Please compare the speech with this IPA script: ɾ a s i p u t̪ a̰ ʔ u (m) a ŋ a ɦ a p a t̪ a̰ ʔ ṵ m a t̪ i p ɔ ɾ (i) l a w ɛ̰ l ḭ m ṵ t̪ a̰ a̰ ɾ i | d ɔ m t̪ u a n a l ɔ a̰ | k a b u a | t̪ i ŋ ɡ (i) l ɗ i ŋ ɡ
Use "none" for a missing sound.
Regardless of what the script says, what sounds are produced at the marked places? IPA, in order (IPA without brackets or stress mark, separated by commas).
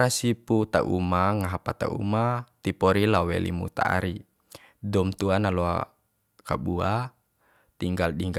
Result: m, i, a